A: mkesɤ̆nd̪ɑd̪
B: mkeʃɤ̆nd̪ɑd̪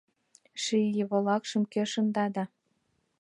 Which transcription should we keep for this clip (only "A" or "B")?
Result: B